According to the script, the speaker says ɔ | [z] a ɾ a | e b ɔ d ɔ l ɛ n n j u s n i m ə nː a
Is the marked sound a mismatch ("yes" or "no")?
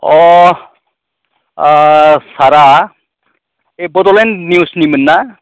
yes